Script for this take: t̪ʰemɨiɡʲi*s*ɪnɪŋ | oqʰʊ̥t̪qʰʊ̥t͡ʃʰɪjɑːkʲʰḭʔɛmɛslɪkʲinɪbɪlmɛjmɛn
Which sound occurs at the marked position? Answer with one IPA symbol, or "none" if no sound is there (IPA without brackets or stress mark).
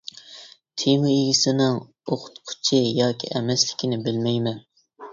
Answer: s